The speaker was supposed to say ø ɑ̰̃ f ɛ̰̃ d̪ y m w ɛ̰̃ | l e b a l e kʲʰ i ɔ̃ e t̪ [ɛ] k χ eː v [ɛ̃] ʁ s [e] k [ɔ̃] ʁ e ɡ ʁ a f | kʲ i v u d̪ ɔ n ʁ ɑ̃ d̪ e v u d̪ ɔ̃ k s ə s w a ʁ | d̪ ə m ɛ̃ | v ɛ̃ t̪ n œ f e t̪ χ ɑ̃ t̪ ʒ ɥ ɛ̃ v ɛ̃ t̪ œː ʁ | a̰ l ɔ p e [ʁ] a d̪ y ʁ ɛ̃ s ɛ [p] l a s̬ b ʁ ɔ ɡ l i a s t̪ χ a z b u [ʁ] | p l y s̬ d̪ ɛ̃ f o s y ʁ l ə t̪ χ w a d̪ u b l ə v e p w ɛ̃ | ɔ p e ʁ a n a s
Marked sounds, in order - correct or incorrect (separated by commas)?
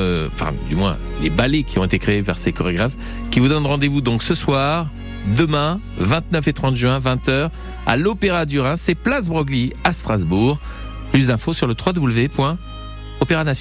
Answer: incorrect, incorrect, correct, incorrect, correct, correct, correct